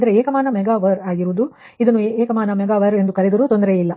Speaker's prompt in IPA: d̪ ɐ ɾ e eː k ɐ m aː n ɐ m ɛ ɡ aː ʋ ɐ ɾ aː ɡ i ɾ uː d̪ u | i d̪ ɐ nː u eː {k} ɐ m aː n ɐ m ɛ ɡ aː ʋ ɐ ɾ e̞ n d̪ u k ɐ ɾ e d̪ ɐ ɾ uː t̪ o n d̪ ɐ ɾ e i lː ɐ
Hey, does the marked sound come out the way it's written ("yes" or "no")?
yes